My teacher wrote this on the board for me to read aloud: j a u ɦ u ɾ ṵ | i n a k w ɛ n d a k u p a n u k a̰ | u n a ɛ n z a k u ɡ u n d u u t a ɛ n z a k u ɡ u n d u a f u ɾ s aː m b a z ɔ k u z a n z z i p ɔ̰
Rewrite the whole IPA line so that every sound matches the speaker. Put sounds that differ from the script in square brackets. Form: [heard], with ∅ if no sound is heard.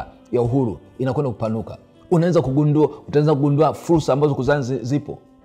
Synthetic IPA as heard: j a u ɦ u ɾ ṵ | i n a k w ɛ n d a k u p a n u k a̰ | u n a ɛ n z a k u ɡ u n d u u t a ɛ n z a k u ɡ u n d u a f u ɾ s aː m b a z ɔ k u z a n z z i p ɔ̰